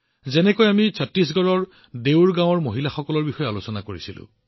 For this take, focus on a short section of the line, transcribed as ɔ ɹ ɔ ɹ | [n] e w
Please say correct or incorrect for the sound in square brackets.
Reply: incorrect